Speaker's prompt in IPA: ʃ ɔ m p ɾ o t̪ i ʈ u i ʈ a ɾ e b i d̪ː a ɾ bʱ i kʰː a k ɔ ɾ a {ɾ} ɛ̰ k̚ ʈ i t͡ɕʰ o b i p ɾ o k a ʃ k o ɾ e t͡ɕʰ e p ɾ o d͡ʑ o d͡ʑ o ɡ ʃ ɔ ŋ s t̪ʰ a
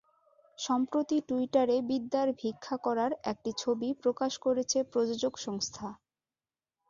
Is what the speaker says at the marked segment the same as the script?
yes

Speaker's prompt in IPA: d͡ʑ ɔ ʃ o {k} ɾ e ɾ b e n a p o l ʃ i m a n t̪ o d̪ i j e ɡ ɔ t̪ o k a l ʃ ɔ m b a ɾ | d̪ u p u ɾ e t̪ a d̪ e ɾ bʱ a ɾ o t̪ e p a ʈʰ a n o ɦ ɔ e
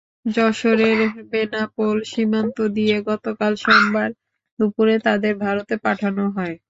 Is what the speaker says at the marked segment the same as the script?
no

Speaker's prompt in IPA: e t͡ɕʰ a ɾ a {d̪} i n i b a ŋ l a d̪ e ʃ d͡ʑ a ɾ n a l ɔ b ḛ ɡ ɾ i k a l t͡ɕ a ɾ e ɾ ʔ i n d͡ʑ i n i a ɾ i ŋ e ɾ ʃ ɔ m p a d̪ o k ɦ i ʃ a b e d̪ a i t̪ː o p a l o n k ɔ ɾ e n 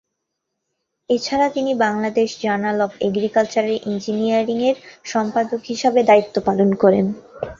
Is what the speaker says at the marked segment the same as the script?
no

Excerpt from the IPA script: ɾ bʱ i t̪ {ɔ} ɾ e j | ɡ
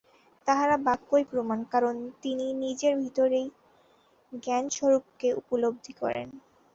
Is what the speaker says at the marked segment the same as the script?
no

